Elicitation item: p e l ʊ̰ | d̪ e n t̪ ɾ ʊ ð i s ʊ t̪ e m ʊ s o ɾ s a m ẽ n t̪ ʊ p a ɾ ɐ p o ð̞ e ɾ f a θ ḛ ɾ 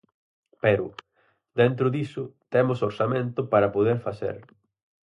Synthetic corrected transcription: p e ɾ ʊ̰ | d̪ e n t̪ ɾ ʊ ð i s ʊ t̪ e m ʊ s o ɾ s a m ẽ n t̪ ʊ p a ɾ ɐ p o ð̞ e ɾ f a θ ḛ ɾ